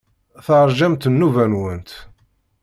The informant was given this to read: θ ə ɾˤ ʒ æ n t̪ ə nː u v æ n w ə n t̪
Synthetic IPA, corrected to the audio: θ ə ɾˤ ʒ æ m t̪ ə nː u v æ n w ə n t̪